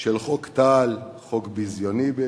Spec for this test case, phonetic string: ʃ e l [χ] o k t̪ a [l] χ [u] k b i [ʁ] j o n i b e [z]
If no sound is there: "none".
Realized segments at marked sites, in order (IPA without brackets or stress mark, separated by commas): χ, l, o, z, none